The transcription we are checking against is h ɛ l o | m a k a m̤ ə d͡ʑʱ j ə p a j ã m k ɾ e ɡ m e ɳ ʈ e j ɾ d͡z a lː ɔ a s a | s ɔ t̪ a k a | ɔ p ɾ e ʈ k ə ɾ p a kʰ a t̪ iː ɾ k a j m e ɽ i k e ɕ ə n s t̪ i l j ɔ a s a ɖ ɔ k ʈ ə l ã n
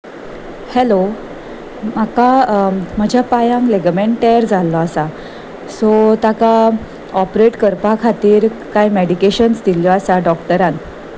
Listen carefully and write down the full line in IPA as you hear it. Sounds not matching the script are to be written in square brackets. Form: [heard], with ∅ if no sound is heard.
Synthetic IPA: h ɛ l o | m a k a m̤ ə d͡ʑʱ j [a] p a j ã [ŋ] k [l] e ɡ m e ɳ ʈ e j ɾ d͡z a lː ɔ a s a | s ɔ t̪ a k a | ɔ p ɾ e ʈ k ə ɾ p a kʰ a t̪ iː ɾ k a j m e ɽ i k e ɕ ə n s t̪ i l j ɔ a s a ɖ ɔ k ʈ ə [ɾ] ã n

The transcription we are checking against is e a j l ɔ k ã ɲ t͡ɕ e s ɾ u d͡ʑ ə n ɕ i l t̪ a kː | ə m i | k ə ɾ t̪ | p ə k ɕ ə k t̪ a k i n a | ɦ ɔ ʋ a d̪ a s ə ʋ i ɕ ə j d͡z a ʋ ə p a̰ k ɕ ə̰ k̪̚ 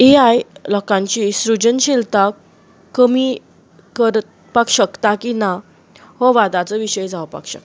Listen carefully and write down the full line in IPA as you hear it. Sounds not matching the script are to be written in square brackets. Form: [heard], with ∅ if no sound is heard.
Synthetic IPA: e a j l ɔ k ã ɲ t͡ɕ [i] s ɾ u d͡ʑ ə n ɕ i l t̪ a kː | ə m i | k ə ɾ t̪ | p [a] k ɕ ə k t̪ a k i n a | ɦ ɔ ʋ a d̪ a [t͡s] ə ʋ i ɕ ə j d͡z a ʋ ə p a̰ k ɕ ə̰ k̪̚

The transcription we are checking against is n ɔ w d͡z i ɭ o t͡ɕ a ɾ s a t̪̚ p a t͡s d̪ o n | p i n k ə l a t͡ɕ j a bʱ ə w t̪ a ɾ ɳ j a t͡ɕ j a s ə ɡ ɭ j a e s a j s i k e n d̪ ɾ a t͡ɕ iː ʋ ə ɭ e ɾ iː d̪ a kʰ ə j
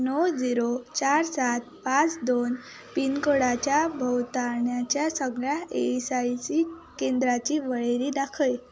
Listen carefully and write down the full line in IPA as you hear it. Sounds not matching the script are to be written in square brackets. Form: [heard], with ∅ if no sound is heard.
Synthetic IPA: n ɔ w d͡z i [ɾ] o t͡ɕ a ɾ s a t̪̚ p a t͡s d̪ o n | p i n k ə [ɽ] a t͡ɕ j a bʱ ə w t̪ a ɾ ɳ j a t͡ɕ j a s ə ɡ ɭ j a e s a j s i k e n d̪ ɾ a t͡ɕ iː ʋ ə ɭ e ɾ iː d̪ a kʰ ə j

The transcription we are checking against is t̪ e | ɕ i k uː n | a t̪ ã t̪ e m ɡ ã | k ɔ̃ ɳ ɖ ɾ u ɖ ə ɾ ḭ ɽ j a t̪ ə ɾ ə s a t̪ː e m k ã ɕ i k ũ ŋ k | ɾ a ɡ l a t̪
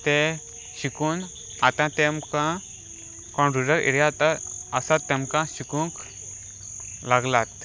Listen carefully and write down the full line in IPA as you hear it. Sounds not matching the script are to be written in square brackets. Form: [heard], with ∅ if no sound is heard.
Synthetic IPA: t̪ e | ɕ i k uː n | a t̪ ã t̪ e m [k] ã | k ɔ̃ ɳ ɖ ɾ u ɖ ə ɾ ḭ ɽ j a t̪ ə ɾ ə s a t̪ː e m k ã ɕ i k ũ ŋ k | [l] a ɡ l a t̪

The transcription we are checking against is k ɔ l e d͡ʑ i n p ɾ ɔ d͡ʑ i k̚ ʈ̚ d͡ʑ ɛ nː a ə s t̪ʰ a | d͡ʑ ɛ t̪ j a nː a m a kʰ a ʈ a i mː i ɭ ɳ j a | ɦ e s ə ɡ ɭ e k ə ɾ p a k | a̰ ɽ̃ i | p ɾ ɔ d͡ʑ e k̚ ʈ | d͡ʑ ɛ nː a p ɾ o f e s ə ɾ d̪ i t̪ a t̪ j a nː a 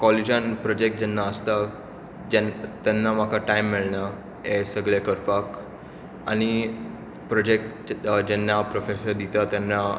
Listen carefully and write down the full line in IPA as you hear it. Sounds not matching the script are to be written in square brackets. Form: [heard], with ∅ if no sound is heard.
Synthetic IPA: k ɔ l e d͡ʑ [a] n p ɾ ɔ d͡ʑ [e] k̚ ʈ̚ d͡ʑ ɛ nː a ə s [t̪] a | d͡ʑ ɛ t̪ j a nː a m a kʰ a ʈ a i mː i ɭ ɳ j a | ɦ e s ə ɡ ɭ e k ə ɾ p a k | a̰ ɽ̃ i | p ɾ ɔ d͡ʑ e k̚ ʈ | d͡ʑ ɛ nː a p ɾ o f e s ə ɾ d̪ i t̪ a t̪ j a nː a

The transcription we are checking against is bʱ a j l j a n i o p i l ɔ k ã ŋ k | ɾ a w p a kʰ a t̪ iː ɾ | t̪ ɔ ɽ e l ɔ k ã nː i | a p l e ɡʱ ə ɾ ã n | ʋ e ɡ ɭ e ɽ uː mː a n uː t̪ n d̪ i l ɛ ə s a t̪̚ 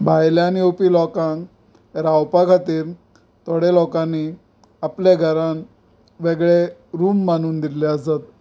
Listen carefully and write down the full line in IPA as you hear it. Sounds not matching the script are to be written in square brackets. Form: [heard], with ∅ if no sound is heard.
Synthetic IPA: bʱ a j l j a n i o p i l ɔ k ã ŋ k | ɾ a w p a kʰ a t̪ iː ɾ | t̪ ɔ ɽ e l ɔ k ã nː i | a p l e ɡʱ ə ɾ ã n | ʋ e ɡ ɭ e [ɾ] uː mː a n uː [∅] n d̪ i l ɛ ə s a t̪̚

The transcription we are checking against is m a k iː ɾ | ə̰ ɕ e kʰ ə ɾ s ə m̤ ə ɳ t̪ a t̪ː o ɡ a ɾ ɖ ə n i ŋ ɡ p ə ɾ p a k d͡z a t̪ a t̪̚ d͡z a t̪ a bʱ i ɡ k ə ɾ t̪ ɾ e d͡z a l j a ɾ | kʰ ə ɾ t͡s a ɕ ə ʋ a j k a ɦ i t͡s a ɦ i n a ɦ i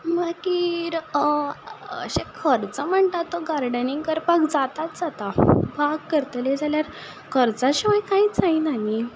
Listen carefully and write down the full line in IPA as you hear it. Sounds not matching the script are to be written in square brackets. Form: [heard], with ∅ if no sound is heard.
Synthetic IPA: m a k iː ɾ | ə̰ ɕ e kʰ ə ɾ [t͡s] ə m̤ ə ɳ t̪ a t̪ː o ɡ a ɾ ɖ ə n i ŋ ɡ [k] ə ɾ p a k d͡z a t̪ a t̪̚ d͡z a t̪ a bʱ [a] ɡ k ə ɾ t̪ [l] e d͡z a l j a ɾ | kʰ ə ɾ t͡s a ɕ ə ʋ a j k a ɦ i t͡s a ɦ i n a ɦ i

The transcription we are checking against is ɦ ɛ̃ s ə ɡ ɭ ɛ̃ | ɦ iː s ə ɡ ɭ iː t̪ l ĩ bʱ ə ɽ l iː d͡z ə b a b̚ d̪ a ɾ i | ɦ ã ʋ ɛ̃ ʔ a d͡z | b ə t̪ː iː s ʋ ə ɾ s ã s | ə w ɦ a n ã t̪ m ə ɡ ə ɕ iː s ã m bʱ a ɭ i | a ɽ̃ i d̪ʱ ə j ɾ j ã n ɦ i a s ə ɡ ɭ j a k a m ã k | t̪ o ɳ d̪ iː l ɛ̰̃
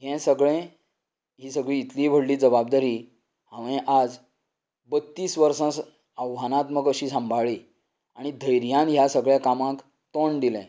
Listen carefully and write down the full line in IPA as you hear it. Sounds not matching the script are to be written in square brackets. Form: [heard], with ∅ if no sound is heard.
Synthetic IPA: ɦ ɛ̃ s ə ɡ ɭ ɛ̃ | ɦ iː s ə ɡ ɭ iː t̪ l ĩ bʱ ə ɽ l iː d͡z ə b a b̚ d̪ a ɾ i | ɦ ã ʋ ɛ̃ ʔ a d͡z | b ə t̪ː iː s ʋ ə ɾ s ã s | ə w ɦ a n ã t̪ m ə ɡ ə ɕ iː s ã m bʱ a ɭ i | a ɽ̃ i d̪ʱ ə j ɾ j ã n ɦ [j] a s ə ɡ ɭ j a k a m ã k | t̪ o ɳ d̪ [i] l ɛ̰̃

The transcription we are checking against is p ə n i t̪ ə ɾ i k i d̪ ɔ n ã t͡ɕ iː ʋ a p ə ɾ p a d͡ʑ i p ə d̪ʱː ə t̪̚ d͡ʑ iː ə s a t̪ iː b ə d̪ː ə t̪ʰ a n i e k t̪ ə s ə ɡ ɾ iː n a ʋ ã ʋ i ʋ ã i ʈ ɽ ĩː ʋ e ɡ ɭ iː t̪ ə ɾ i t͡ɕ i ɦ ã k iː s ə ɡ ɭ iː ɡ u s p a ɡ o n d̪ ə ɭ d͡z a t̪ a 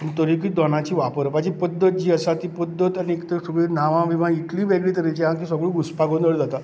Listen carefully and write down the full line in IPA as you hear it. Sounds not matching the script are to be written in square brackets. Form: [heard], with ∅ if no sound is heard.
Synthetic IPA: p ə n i t̪ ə ɾ i k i d̪ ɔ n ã t͡ɕ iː ʋ a p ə ɾ p a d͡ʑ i p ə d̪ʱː ə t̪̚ d͡ʑ iː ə s a t̪ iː [p] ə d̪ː ə [t̪] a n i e k t̪ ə s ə ɡ [ɭ] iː n a ʋ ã ʋ i ʋ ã i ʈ [l] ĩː ʋ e ɡ ɭ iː t̪ ə ɾ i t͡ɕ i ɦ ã k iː s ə ɡ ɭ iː ɡ u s p a ɡ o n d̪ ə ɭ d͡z a t̪ a

